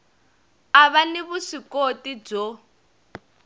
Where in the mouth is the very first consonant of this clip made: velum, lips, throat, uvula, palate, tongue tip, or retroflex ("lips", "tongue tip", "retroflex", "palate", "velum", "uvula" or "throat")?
lips